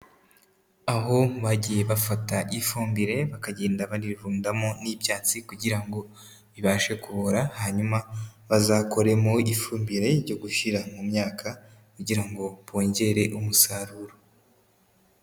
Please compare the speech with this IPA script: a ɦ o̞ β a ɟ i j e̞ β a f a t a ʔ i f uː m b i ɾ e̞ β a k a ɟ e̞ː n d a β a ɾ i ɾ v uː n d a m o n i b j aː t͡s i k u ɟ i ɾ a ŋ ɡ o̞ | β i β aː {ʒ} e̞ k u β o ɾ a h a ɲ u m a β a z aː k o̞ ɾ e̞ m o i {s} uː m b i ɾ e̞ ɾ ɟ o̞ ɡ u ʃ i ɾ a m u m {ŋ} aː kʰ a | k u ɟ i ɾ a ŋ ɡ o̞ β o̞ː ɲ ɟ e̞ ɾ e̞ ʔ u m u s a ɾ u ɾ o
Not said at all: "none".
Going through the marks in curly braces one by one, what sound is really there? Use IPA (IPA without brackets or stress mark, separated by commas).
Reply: ʃ, f, ɲ